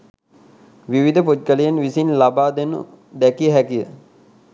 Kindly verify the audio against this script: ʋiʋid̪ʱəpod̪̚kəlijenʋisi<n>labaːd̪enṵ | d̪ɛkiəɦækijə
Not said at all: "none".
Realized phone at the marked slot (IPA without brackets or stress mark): n